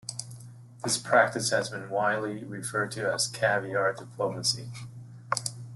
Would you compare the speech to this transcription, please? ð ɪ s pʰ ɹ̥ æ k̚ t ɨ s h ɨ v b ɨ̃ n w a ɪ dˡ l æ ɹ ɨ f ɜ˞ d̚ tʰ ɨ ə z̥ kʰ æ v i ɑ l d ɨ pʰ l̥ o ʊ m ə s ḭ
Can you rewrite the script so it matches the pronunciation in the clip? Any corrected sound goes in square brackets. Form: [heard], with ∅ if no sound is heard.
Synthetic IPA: ð ɪ s pʰ ɹ̥ æ k̚ t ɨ s h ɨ [z] b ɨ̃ n w a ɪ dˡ l [i] ɹ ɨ f ɜ˞ d̚ tʰ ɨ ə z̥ kʰ æ v i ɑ [ɹ] d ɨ pʰ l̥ o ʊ m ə s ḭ